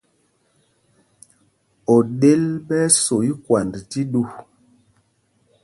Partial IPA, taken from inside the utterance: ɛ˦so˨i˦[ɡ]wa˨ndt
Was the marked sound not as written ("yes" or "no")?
yes